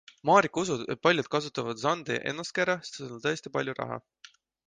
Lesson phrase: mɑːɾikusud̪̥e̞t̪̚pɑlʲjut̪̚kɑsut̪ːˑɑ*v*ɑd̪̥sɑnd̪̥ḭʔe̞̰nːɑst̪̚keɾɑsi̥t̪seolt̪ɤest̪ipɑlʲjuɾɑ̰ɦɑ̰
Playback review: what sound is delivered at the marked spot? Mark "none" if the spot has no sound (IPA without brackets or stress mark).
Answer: v